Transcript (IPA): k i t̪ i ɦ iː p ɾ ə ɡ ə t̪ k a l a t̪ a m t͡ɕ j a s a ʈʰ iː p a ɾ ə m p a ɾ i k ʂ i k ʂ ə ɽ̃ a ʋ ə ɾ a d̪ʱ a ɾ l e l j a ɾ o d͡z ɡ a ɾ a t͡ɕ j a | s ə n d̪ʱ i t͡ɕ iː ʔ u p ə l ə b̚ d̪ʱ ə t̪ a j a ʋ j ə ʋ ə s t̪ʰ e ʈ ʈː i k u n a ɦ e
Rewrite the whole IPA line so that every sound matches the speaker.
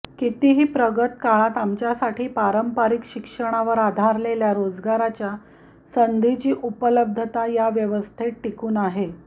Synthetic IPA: k i t̪ i ɦ iː p ɾ ə ɡ ə t̪ k a ɭ a t̪ a m t͡ɕ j a s a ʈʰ iː p a ɾ ə m p a ɾ i k ɕ i k ʂ ə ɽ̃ a ʋ ə ɾ a d̪ʱ a ɾ l e l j a ɾ o d͡z ɡ a ɾ a t͡ɕ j a | s ə n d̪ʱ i t͡ɕ iː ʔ u p ə l ə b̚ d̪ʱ ə t̪ a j a ʋ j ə ʋ ə s t̪ʰ e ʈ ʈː i k uː n a ɦ e